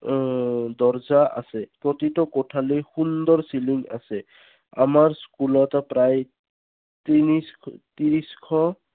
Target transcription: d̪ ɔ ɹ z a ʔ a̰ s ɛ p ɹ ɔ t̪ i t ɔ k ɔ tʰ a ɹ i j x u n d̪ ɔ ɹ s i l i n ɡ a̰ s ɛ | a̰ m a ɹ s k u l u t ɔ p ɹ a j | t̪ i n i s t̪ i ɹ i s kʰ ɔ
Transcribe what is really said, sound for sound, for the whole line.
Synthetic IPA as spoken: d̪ ɔ ɹ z a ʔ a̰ s ɛ p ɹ ɔ t̪ i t ɔ k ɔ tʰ a l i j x u n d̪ ɔ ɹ s i l i ŋ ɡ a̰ s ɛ | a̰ m a ɹ s k u l ɔ t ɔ p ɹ a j | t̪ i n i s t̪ i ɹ i s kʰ ɔ